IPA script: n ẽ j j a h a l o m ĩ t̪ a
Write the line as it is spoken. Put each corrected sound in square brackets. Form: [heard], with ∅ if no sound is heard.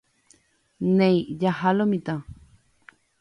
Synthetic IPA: n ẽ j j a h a l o m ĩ t̪ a